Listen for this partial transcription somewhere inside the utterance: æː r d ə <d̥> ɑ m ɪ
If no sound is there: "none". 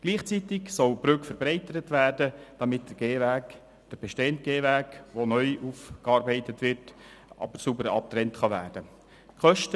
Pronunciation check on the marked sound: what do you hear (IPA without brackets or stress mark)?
d̥